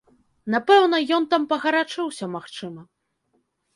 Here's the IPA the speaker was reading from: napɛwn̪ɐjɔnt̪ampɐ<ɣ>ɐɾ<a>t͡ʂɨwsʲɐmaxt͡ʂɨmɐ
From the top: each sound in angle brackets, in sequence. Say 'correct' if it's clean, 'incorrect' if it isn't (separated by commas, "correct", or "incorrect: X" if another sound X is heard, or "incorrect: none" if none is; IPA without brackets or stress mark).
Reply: correct, correct